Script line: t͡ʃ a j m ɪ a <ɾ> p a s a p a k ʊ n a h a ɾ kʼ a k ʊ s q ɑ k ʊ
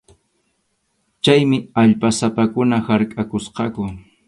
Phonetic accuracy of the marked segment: incorrect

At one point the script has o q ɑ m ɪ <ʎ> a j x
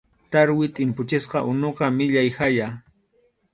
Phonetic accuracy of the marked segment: correct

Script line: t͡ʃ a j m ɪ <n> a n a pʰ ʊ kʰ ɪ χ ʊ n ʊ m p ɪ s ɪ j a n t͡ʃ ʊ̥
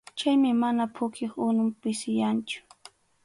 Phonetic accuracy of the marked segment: incorrect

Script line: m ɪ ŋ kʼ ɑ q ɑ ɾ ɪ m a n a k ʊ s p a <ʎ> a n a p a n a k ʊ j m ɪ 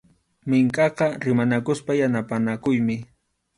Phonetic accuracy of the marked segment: incorrect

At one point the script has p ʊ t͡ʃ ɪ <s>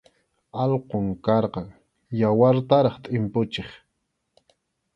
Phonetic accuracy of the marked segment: incorrect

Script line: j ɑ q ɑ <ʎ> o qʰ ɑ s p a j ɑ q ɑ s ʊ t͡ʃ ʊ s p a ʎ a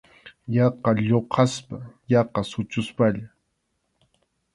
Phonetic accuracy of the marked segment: correct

